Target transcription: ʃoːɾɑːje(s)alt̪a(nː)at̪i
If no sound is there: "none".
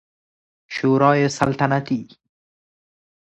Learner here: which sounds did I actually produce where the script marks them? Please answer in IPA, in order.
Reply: s, n

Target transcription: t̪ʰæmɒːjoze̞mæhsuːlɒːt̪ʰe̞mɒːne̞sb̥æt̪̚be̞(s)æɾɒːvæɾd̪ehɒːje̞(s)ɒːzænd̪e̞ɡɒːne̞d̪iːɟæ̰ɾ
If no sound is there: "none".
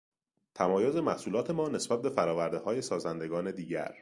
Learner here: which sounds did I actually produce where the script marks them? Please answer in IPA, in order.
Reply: f, s

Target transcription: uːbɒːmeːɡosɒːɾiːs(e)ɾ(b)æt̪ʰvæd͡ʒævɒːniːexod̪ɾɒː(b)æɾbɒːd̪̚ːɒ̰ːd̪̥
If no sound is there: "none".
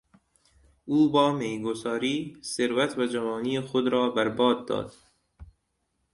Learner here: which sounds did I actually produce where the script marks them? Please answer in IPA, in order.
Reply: e, v, b

